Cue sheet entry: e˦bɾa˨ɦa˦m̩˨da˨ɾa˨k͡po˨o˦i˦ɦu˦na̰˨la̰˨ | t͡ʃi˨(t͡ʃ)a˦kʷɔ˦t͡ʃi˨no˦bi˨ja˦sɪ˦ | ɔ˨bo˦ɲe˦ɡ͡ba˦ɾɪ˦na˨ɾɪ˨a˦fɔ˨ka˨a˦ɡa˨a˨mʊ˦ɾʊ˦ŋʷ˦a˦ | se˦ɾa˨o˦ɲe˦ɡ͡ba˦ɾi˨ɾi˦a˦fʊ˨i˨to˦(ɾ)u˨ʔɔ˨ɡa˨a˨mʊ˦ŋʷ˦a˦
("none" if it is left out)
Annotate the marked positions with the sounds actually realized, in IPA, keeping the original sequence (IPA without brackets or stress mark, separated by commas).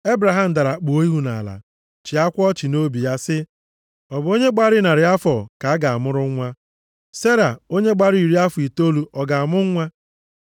none, l